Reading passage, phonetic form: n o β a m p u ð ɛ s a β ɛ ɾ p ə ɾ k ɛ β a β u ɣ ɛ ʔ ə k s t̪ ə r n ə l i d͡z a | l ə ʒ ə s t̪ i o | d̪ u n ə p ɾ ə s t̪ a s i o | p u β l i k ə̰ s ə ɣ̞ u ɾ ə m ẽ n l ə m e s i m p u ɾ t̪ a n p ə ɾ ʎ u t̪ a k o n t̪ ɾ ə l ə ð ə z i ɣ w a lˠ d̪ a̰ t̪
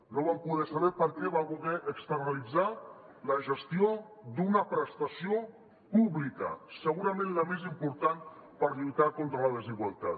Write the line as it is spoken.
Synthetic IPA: n o β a m p u ð ɛ s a β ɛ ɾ p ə ɾ k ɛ β a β u ɣ ɛ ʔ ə k s t̪ ə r n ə l i d͡z a | l ə ʒ ə s t̪ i o | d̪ u n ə p ɾ ə s t̪ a s i o | p u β l i k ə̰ s ə ɣ̞ u ɾ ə m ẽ n l ə m e z i m p u ɾ t̪ a n p ə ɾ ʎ u t̪ a k o n t̪ ɾ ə l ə ð ə z i ɣ w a lˠ t̪ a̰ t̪

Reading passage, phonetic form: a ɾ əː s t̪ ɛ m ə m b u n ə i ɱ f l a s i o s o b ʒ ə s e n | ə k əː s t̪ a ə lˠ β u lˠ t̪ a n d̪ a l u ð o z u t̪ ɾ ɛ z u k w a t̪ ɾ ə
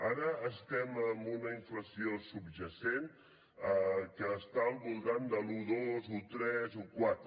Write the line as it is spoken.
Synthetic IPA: a ɾ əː s t̪ ɛ m ə m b u n ə i ɱ f l ə s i o s u b ʒ ə s e n | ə k əː s t̪ a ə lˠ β u lˠ t̪ a n d̪ ə l u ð o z u t̪ ɾ ɛ z u k w a t̪ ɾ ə

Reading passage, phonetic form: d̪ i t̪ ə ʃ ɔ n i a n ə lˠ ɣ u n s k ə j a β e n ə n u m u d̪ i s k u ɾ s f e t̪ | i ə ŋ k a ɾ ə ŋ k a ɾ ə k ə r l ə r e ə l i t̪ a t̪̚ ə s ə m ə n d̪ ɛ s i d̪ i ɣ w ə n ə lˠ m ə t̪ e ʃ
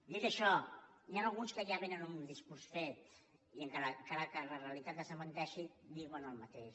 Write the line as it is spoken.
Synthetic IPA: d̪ i t̪ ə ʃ ɔ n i a n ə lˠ ɣ u n s k ə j a β e n ə n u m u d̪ i s k u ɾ s f e t̪ | i ə ŋ k a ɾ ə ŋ k a ɾ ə k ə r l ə r e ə l i t̪ a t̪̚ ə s ə m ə n t̪ ɛ ʃ i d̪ i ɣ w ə n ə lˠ m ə t̪ e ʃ

